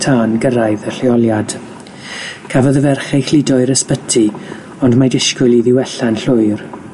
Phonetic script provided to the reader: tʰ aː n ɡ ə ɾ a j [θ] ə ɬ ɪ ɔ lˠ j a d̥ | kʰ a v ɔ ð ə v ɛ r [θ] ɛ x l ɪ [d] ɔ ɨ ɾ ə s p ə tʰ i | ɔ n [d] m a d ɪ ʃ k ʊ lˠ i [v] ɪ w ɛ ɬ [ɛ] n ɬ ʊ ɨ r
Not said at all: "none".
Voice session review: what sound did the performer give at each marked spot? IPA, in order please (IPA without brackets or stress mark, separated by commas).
ð, χ, d, d, ð, a